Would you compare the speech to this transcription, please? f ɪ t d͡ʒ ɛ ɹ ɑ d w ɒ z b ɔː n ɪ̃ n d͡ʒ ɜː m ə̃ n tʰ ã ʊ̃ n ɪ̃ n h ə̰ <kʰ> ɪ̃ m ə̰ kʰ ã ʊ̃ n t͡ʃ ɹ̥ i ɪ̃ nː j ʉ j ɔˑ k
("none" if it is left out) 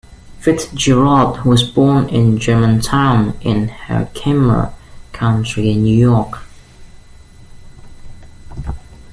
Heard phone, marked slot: kʰ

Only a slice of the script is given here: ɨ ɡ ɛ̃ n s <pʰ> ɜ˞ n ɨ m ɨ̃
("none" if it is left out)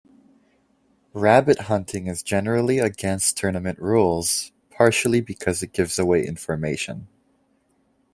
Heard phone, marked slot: tʰ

